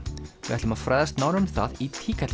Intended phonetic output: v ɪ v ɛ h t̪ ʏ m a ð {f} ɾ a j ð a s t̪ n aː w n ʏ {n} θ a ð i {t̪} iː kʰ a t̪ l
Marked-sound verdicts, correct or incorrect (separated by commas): correct, incorrect, incorrect